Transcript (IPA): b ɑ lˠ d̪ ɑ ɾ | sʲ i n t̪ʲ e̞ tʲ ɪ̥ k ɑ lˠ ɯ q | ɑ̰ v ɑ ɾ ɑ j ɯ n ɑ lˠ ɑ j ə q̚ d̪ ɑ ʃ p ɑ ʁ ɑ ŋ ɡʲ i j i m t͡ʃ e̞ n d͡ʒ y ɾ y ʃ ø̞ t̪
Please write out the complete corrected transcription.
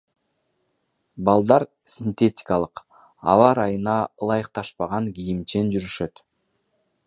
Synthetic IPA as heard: b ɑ lˠ d̪ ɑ ɾ | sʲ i n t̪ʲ e̞ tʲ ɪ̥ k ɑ lˠ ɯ q | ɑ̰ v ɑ ɾ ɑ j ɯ n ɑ lˠ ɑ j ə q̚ t̪ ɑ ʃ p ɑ ʁ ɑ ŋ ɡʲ i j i m t͡ʃ e̞ n d͡ʒ y ɾ y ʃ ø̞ t̪